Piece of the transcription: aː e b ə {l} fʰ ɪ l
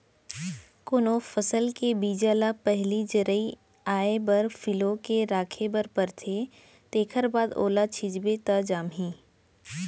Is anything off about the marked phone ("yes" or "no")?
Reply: yes